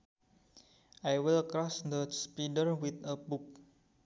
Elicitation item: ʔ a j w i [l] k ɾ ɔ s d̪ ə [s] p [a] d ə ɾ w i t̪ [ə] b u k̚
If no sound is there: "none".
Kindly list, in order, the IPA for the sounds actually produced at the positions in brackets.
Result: l, s, i, ə

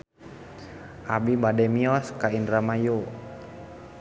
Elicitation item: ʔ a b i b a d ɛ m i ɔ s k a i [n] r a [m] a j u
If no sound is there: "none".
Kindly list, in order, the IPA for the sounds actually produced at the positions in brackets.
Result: n, m

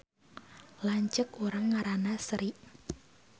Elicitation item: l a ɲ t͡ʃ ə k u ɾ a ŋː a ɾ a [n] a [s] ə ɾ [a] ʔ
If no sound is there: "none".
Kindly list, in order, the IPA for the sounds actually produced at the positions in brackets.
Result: n, s, i

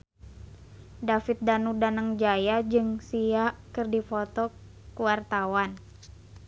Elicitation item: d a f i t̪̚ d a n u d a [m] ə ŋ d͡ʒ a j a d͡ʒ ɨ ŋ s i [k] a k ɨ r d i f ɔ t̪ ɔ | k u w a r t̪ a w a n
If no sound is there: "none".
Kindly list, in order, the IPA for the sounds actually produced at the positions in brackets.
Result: n, none

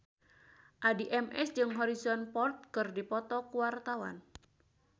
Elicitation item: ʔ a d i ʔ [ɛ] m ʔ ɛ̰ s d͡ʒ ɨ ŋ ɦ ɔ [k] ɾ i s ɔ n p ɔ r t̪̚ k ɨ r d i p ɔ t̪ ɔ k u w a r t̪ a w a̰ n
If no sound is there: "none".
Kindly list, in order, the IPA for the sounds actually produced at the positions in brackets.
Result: ɛ, none

